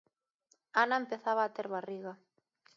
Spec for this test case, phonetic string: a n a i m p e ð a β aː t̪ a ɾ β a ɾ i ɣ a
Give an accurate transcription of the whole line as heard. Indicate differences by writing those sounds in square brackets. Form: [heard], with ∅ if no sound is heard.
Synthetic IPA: a n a [e] m p e [θ] a β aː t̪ [e] ɾ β a [r] i ɣ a

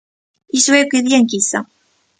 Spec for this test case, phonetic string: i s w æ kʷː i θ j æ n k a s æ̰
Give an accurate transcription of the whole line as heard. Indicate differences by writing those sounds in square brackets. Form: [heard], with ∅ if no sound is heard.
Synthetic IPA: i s w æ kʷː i [ð] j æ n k [i] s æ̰

